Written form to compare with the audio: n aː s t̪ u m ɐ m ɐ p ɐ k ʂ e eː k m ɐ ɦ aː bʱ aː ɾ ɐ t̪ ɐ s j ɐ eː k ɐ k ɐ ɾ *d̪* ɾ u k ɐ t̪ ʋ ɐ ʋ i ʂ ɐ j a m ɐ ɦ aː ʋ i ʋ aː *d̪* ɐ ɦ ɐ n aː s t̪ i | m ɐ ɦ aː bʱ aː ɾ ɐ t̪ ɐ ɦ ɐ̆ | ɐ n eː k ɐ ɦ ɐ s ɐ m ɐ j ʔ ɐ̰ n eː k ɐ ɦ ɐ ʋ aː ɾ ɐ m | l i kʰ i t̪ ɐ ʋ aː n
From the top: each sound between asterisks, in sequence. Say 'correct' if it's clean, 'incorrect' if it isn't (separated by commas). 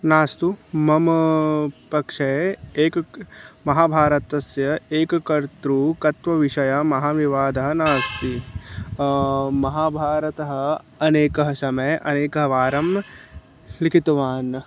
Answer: incorrect, correct